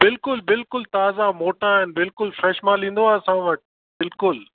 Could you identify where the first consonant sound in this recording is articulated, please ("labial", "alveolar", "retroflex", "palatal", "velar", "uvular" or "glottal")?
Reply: labial